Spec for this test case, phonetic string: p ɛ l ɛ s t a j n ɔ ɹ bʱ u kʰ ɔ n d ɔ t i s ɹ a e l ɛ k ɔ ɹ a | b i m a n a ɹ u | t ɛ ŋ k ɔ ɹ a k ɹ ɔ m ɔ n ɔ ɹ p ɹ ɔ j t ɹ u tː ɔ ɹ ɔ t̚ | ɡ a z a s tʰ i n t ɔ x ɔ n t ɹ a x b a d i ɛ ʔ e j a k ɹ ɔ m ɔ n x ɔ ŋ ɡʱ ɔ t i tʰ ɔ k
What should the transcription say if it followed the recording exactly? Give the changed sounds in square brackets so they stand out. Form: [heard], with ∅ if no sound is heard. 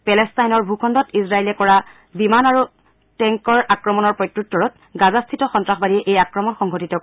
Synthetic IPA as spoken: p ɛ l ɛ s t a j n ɔ ɹ bʱ u kʰ ɔ n d ɔ t i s ɹ a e l ɛ k ɔ ɹ a | b i m a n a ɹ u | t ɛ ŋ k ɔ ɹ a k ɹ ɔ m ɔ n ɔ ɹ p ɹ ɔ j t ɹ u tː ɔ ɹ ɔ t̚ | ɡ a z a s tʰ i [∅] t ɔ x ɔ n t ɹ a x b a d i ɛ ʔ e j a k ɹ ɔ m ɔ n x ɔ ŋ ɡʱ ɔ t i [t] ɔ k